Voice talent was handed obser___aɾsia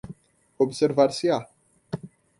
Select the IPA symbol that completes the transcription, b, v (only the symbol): v